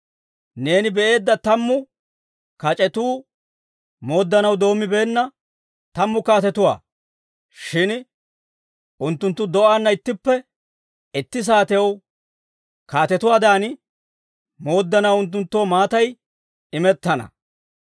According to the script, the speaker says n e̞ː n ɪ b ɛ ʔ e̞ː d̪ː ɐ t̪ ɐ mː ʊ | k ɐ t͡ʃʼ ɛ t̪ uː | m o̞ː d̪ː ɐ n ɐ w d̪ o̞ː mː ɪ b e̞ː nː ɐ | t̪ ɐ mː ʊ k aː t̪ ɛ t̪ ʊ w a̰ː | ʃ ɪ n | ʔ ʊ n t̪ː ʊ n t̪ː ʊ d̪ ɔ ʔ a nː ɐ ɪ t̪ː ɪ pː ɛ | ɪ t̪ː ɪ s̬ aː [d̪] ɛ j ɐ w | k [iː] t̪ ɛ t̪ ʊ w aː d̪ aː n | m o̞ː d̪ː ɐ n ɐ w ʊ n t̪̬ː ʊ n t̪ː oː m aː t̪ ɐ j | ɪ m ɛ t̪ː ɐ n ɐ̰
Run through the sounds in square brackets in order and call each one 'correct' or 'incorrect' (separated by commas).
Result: incorrect, incorrect